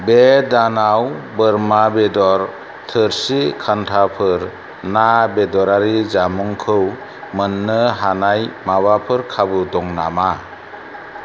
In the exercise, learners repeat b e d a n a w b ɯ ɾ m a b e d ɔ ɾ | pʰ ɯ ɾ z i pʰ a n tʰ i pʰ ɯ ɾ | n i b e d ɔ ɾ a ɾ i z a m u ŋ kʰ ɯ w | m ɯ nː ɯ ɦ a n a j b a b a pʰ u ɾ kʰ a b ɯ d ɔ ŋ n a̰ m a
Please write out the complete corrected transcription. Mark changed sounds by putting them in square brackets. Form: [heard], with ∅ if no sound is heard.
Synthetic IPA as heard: b e d a n a w b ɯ ɾ m a b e d ɔ ɾ | [tʰ] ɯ ɾ [s] i [kʰ] a n tʰ [a] pʰ ɯ ɾ | n [a] b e d ɔ ɾ a ɾ i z a m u ŋ kʰ ɯ w | m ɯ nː ɯ ɦ a n a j [m] a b a pʰ [ɯ] ɾ kʰ a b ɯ d ɔ ŋ n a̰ m a